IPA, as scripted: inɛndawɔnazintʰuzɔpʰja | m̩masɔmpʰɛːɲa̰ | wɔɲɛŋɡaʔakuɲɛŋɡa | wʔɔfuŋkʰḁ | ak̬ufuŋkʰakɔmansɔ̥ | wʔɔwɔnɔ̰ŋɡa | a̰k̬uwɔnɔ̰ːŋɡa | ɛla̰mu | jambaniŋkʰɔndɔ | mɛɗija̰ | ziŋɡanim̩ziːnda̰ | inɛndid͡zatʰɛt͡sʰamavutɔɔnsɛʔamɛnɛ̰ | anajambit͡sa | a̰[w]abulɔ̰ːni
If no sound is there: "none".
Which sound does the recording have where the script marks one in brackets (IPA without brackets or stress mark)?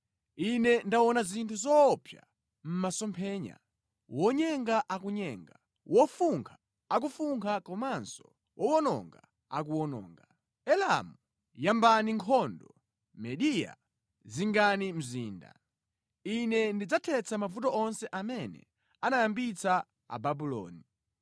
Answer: b